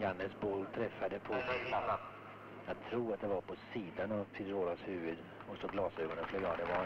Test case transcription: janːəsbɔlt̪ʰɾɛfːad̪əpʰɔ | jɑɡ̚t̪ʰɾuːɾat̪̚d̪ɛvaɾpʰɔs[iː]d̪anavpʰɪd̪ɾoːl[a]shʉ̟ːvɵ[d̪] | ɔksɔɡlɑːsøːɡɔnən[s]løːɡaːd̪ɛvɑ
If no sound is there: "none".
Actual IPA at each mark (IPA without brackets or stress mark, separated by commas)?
iː, a, d̪, f